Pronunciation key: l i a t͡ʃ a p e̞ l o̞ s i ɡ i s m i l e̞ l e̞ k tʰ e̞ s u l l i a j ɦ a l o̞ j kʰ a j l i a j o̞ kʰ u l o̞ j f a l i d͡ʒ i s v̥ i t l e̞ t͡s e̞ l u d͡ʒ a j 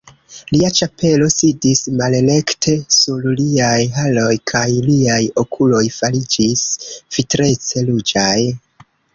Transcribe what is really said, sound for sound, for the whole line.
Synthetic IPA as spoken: l i a t͡ʃ a p e̞ l o̞ s i d i s m a l e̞ l e̞ k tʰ e̞ s u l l i a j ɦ a l o̞ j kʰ a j l i a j o̞ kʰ u l o̞ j f a l i d͡ʒ i s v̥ i t ɾ e̞ t͡s e̞ l u d͡ʒ a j